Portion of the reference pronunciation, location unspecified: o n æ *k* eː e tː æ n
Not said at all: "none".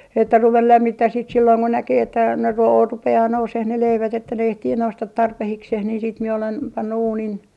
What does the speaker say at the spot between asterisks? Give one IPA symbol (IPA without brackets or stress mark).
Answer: k